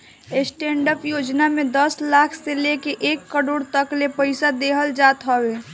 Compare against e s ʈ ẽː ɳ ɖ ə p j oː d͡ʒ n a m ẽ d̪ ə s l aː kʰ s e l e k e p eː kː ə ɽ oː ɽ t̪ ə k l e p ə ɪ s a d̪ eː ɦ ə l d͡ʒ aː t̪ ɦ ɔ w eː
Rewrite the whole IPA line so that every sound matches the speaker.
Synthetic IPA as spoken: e s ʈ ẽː ɳ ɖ ə p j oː d͡ʒ n a m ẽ d̪ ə s l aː kʰ s e l e k e ʔ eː kː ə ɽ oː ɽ t̪ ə k l e p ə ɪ s a d̪ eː ɦ ə l d͡ʒ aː t̪ ɦ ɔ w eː